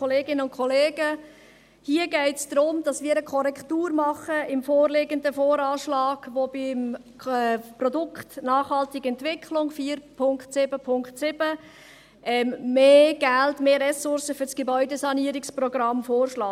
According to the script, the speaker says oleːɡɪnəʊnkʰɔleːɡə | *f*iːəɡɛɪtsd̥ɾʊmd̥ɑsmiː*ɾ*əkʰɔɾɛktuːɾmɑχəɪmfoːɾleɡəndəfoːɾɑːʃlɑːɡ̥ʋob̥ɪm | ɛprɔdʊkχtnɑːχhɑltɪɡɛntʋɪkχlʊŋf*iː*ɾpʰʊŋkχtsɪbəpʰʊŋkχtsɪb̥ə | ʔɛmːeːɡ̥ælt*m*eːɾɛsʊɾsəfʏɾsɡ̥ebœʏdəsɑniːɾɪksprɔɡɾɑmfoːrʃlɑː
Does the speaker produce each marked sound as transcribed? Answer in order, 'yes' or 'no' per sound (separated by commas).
no, yes, yes, yes